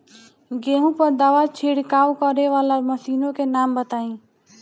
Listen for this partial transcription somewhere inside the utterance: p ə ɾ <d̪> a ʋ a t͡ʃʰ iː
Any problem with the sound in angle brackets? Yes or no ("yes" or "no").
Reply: no